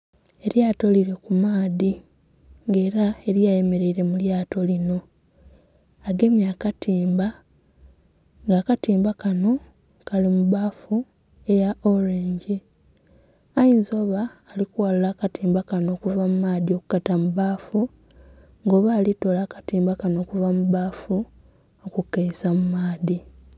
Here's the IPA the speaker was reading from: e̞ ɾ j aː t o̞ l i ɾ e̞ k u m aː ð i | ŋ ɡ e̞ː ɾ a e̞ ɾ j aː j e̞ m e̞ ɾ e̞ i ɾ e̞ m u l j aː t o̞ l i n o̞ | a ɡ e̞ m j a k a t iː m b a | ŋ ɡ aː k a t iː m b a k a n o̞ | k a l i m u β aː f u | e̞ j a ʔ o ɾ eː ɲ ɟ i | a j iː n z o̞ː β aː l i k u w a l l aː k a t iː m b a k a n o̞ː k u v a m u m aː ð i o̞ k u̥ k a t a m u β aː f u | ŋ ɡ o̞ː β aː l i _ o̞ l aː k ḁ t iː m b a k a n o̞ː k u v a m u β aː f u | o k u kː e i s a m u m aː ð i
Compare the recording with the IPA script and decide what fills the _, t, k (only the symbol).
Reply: t